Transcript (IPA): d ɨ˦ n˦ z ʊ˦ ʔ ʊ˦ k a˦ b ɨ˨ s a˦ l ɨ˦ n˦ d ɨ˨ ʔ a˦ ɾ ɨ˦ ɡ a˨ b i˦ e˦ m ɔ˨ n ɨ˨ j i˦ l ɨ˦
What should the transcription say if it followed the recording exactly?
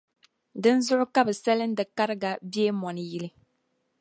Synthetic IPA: d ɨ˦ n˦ z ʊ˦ ʔ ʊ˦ k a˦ b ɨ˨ s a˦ l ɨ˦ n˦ d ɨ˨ k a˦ ɾ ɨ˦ ɡ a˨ b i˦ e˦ m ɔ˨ n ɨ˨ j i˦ l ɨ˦